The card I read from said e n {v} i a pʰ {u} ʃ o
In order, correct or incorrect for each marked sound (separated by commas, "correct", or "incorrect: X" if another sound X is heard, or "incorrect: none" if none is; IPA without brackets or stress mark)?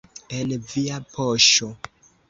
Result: correct, incorrect: o